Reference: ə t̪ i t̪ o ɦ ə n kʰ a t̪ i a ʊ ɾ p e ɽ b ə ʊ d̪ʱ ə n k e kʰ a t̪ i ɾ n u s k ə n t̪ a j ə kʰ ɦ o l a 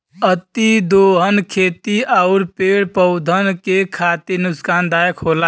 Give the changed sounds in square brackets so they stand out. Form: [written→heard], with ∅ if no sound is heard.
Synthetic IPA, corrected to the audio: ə t̪ i [t̪→d̪] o ɦ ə n kʰ [a→e] t̪ i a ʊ ɾ p e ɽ [b→p] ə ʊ d̪ʱ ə n k e kʰ a t̪ i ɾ n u s k [ə→a] n [t̪→d̪] a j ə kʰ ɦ o l a